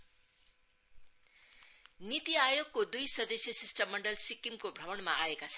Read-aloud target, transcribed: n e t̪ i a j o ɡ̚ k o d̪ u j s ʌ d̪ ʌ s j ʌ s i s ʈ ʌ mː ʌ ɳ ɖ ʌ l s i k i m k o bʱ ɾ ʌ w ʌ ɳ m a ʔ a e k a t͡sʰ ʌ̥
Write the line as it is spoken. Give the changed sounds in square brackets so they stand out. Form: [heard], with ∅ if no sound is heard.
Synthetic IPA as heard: n [i] t̪ i a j o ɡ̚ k o d̪ u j s ʌ d̪ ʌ s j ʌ s i s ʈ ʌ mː ʌ ɳ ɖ ʌ l s i k i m k o bʱ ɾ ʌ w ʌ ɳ m a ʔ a e k a t͡sʰ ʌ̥

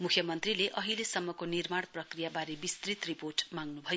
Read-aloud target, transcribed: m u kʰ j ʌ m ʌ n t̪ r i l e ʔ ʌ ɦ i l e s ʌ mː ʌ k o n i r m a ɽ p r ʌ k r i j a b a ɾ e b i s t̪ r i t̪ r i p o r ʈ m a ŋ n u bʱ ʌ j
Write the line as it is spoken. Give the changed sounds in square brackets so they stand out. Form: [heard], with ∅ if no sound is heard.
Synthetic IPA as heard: m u kʰ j ʌ m ʌ n t̪ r i l e ʔ ʌ ɦ i l e s ʌ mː ʌ k o n i r m a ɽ p r ʌ k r i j a b a ɾ e b i s t̪ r i t̪ r i p o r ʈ m a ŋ n u bʱ ʌ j

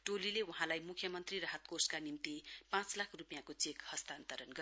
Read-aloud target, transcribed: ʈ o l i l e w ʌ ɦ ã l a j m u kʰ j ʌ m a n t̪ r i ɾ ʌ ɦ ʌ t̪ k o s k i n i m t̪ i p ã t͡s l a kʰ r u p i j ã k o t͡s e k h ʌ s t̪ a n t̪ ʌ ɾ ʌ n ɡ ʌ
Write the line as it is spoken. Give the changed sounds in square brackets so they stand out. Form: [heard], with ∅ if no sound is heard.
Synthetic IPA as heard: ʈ o l i l e w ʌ ɦ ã l a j m u kʰ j ʌ m [ʌ] n t̪ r i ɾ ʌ ɦ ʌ t̪ k o s k [a] n i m t̪ i p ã t͡s l a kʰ r u p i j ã k o t͡s e k h ʌ s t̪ a n t̪ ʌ ɾ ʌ n ɡ ʌ

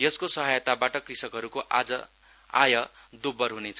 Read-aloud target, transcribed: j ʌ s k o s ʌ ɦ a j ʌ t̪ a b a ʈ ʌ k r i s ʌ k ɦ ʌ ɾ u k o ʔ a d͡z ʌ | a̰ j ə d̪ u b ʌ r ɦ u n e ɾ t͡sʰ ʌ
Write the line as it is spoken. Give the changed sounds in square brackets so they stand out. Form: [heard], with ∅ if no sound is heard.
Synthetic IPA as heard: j ʌ s k o s ʌ ɦ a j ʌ t̪ a b a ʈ ʌ k r i s ʌ k ɦ ʌ ɾ u k o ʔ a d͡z ʌ | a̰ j [ʌ] d̪ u b ʌ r ɦ u n e [∅] t͡sʰ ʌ

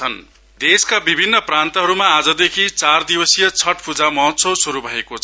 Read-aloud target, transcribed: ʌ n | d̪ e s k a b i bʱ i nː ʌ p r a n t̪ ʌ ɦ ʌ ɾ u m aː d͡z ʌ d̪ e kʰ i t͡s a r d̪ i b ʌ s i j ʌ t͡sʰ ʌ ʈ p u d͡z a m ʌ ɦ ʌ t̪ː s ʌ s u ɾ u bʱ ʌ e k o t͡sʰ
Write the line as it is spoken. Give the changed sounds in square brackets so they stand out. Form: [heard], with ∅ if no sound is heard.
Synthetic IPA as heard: ʌ n | d̪ e s k a b i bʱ i nː ʌ p r a n t̪ ʌ ɦ ʌ ɾ u m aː d͡z ʌ d̪ e kʰ i t͡s a r d̪ i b ʌ s i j ʌ t͡sʰ ʌ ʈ p u d͡z a m ʌ ɦ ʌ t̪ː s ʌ s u ɾ u bʱ ʌ e k o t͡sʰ

